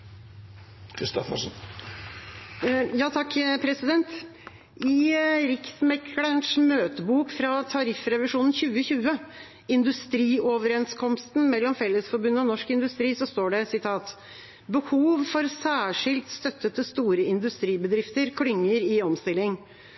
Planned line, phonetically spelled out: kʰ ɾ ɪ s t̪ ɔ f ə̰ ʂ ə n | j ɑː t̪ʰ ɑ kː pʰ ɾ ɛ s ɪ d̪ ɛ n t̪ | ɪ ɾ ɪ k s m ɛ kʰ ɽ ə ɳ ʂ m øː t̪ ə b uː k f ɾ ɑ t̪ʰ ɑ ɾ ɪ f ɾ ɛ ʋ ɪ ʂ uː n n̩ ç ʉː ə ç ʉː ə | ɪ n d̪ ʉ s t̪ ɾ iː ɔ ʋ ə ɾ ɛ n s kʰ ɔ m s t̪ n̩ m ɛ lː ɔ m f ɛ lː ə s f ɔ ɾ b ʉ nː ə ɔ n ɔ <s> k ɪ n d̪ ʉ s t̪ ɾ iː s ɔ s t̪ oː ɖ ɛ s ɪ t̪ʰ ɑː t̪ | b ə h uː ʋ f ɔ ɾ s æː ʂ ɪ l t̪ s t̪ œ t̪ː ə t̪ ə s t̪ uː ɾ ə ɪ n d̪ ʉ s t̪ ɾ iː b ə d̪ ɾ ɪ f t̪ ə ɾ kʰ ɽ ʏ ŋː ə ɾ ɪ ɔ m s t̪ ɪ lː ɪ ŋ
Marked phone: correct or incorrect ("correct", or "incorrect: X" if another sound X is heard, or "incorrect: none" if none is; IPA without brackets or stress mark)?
incorrect: ʂ